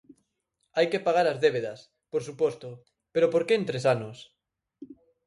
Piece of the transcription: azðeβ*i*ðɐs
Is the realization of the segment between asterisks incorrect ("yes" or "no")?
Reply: yes